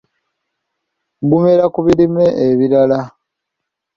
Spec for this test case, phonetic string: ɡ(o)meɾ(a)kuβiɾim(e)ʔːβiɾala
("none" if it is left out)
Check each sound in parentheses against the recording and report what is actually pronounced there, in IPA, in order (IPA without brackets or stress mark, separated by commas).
u, a, e